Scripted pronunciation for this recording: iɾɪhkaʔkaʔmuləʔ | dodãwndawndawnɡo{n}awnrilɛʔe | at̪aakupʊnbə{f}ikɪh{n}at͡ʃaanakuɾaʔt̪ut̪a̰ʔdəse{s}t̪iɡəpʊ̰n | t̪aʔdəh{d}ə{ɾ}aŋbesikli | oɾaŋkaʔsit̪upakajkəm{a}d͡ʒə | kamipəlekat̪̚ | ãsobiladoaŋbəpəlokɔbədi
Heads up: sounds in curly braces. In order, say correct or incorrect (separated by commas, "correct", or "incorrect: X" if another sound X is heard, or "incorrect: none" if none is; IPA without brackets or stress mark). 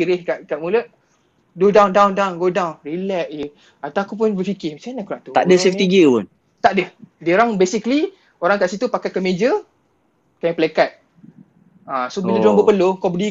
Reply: incorrect: d, correct, incorrect: m, incorrect: f, correct, correct, incorrect: e